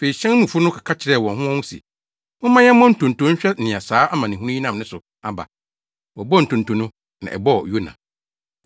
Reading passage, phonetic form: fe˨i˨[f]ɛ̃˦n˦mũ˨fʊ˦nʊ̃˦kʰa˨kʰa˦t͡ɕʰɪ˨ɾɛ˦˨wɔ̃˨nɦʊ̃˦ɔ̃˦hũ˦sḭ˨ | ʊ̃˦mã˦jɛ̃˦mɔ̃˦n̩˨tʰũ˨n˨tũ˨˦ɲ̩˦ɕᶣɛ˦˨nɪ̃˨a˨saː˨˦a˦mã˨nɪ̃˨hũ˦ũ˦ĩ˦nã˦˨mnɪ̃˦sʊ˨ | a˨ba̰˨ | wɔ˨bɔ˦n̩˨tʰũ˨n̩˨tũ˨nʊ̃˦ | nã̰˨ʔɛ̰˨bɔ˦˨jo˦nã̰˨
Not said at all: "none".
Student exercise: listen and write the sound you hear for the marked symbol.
ɕ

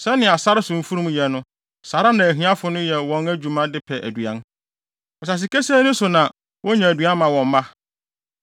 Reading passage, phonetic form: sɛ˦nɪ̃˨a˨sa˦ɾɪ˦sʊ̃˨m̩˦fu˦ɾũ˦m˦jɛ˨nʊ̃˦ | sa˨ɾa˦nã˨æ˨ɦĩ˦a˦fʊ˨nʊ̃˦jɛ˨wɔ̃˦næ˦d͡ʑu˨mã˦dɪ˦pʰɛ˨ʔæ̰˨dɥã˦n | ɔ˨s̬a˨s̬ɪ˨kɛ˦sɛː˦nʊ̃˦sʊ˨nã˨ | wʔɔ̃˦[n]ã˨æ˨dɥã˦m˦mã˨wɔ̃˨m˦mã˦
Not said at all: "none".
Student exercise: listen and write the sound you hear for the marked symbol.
ɲ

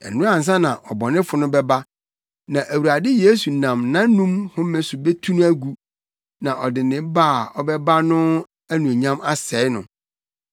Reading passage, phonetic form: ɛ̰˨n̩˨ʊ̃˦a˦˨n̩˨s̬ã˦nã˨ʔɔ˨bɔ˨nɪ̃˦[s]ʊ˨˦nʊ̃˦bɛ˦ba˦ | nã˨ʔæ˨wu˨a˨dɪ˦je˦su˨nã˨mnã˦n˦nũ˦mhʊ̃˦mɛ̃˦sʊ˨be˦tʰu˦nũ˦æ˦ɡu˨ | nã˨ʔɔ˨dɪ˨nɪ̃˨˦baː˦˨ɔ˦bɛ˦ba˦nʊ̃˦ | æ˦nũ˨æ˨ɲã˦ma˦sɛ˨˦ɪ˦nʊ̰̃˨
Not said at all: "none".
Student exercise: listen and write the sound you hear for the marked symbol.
f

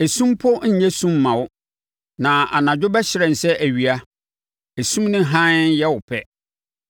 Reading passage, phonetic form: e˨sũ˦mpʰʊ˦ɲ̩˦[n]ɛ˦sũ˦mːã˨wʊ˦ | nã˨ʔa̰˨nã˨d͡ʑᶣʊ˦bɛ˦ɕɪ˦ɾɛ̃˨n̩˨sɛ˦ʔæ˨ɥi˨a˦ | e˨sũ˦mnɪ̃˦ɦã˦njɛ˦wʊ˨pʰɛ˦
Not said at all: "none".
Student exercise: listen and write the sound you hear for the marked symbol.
ɲ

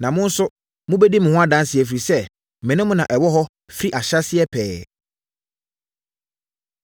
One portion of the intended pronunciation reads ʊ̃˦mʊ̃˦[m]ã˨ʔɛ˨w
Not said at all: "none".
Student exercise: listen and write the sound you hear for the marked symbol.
n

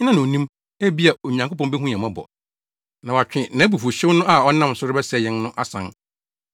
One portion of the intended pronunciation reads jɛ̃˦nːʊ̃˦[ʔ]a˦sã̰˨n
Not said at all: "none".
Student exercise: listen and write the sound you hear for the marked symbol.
ʔ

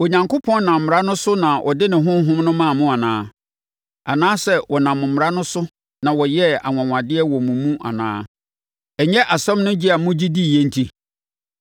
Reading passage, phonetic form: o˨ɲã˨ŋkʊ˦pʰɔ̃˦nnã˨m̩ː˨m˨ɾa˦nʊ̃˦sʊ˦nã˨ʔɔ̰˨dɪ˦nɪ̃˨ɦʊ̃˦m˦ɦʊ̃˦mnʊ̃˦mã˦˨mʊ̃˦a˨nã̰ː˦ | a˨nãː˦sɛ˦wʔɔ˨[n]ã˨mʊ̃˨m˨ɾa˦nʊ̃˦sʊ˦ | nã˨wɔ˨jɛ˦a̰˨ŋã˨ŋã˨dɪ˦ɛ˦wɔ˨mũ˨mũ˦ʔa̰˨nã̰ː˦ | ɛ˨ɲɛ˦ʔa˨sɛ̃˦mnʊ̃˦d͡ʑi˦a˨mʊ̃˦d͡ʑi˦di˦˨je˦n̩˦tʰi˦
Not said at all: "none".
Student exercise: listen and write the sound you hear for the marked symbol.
n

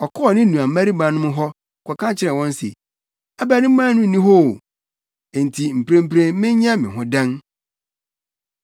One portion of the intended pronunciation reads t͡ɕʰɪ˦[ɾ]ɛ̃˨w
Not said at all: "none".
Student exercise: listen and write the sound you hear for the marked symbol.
ɾ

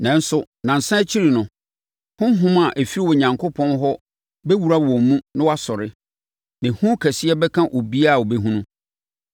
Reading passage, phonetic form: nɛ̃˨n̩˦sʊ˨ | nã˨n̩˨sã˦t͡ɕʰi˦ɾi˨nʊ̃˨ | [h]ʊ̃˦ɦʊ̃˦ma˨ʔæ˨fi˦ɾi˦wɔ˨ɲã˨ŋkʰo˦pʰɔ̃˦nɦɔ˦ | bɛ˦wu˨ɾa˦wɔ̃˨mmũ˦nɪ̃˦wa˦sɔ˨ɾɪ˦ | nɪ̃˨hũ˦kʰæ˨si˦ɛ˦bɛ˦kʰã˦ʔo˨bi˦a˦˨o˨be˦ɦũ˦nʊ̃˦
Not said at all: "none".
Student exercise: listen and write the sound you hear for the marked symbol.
h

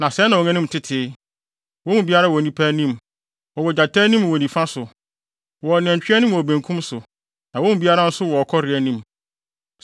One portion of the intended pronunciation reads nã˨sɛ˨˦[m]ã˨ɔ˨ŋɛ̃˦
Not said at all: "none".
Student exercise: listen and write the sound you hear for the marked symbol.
n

